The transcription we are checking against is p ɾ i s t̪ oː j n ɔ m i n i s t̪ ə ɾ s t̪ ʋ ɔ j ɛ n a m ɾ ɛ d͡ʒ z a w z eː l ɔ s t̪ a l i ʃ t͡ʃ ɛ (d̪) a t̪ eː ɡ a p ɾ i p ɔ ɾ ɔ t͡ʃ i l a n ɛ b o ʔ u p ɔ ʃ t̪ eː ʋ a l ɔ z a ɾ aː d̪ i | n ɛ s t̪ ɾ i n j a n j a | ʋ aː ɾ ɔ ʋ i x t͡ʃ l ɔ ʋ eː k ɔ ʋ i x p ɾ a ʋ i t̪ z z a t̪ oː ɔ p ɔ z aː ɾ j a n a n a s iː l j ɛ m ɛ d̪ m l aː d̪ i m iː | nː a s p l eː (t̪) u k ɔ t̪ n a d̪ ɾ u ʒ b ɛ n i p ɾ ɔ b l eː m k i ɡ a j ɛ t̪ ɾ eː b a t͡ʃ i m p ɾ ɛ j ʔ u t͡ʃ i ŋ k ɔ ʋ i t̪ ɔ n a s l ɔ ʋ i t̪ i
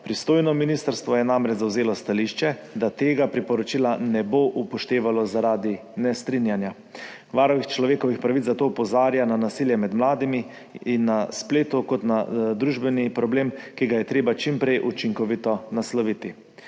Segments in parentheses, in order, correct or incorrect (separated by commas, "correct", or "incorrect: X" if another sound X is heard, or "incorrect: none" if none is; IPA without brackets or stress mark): correct, correct